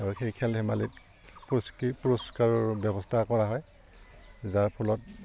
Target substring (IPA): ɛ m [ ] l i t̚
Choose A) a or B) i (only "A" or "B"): A